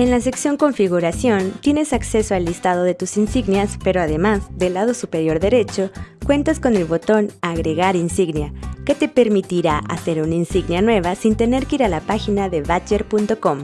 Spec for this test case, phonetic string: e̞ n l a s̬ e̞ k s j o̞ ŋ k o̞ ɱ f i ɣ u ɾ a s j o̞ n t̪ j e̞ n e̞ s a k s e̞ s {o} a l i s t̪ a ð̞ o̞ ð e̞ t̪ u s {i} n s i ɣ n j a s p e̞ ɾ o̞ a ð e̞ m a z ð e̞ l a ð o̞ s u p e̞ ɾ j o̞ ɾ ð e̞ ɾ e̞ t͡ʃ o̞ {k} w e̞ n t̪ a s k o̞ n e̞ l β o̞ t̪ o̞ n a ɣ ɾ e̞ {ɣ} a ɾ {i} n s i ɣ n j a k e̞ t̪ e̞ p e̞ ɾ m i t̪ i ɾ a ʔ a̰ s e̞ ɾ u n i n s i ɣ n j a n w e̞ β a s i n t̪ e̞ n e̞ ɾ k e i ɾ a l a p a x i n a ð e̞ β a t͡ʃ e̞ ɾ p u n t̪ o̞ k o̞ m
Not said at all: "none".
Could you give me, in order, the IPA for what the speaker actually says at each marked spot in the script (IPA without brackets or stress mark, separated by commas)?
o, i, k, ɣ, i